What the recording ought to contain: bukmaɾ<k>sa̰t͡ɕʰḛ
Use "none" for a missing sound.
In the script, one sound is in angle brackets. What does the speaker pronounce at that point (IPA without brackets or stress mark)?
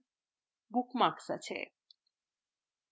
k